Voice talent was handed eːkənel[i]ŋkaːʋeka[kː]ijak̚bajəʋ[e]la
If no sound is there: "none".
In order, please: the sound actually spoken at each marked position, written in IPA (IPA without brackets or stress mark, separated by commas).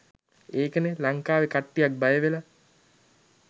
a, ʈː, e